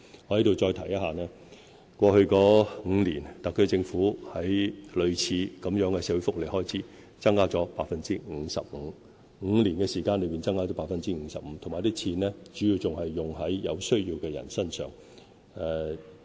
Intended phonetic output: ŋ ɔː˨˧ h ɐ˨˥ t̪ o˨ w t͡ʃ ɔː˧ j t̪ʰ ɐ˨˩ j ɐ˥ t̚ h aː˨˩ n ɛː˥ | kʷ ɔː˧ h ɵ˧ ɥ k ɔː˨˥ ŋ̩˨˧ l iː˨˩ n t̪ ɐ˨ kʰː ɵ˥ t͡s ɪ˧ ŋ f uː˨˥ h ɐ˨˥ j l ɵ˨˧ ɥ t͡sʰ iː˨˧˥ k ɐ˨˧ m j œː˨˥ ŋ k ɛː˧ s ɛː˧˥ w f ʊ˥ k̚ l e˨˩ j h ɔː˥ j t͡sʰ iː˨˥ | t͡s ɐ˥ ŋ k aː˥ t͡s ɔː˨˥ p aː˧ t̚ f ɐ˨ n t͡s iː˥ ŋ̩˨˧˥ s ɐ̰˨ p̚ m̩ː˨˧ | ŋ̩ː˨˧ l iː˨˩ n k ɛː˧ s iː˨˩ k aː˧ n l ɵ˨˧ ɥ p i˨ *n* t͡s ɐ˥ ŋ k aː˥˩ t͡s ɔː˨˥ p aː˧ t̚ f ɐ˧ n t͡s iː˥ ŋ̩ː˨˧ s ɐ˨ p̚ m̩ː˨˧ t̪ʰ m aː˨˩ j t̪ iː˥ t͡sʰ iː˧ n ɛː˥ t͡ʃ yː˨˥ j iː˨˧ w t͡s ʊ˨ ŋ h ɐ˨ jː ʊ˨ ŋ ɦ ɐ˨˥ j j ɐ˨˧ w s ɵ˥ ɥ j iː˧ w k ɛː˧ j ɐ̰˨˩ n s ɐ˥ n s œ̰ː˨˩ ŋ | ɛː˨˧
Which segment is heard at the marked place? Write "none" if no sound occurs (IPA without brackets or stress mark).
n